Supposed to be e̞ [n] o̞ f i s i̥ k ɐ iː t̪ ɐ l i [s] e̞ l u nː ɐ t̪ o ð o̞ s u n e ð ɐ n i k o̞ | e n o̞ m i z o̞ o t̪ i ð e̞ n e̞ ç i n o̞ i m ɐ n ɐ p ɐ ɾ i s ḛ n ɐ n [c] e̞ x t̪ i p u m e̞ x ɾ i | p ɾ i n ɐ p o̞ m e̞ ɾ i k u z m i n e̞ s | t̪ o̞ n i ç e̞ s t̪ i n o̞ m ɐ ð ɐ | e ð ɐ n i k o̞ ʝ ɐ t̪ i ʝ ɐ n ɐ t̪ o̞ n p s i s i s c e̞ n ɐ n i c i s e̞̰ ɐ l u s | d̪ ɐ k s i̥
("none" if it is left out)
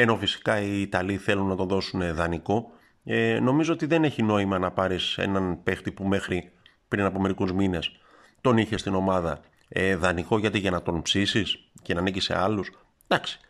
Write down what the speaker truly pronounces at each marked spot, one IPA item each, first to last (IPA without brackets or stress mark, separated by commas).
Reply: n, θ, p